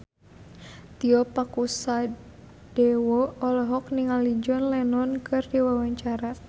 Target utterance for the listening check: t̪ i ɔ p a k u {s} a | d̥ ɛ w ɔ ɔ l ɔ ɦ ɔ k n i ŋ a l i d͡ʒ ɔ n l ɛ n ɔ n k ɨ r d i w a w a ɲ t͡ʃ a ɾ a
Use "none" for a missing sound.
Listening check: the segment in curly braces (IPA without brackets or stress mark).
s